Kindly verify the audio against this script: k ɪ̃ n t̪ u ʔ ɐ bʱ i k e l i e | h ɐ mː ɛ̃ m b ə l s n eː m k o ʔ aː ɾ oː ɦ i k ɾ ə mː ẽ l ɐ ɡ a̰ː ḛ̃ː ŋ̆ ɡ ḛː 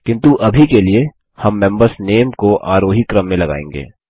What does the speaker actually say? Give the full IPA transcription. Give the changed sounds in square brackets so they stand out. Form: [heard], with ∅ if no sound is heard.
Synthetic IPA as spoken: k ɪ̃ n t̪ u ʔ ɐ bʱ i k e l i e | h ɐ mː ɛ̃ m b ə [ɾ] s n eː m k o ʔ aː ɾ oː ɦ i k ɾ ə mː ẽ l ɐ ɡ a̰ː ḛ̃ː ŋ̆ ɡ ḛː